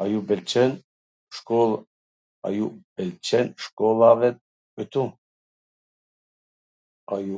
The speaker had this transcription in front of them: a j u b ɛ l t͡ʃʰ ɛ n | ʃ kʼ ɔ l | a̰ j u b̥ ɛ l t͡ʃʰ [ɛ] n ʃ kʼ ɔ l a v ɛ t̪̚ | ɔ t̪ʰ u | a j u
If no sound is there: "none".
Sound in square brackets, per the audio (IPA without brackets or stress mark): ɛ